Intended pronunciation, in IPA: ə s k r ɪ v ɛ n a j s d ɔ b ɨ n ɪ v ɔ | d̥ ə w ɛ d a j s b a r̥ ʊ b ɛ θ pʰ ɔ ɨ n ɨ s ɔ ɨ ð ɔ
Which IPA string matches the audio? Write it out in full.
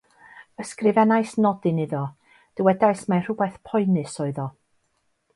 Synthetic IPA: ə s k r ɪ v ɛ n a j s n ɔ d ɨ n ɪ ð ɔ | d̥ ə w ɛ d a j s m a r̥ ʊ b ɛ θ pʰ ɔ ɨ n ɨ s ɔ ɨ ð ɔ